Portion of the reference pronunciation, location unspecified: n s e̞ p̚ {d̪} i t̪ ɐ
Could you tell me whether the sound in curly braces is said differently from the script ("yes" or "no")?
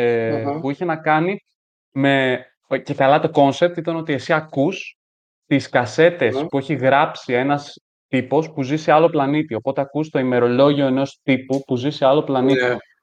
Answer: yes